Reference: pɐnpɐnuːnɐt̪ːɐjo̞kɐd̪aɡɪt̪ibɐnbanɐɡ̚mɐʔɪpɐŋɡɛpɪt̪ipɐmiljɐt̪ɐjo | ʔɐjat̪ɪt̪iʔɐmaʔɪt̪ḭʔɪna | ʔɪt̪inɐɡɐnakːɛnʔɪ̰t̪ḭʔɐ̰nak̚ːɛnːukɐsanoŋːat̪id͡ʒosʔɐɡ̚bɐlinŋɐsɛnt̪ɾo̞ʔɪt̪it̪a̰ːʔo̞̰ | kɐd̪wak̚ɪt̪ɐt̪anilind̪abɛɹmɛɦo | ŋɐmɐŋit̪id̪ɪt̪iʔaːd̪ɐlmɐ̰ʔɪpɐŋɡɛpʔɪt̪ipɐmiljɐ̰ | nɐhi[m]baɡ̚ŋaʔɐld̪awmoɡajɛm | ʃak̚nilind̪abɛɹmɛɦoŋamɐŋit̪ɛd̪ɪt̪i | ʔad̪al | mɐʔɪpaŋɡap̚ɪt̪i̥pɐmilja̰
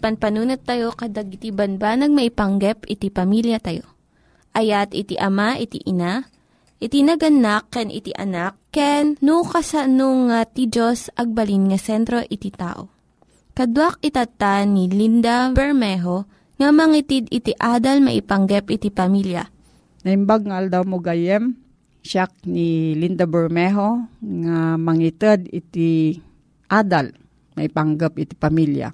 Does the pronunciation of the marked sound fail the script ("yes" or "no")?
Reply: no